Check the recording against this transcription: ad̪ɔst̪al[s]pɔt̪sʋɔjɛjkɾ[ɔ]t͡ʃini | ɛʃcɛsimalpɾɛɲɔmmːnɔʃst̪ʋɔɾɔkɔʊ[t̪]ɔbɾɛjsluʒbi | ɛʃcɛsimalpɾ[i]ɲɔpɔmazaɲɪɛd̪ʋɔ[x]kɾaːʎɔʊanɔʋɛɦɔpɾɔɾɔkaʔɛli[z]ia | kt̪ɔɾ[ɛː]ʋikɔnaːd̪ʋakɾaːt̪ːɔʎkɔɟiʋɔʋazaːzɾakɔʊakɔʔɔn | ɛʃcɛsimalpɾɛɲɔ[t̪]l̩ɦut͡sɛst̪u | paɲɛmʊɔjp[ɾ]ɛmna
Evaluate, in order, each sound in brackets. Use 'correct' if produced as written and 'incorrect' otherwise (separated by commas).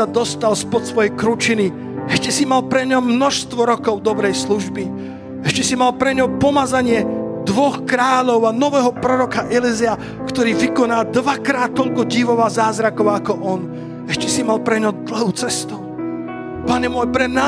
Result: correct, incorrect, incorrect, incorrect, correct, correct, incorrect, incorrect, correct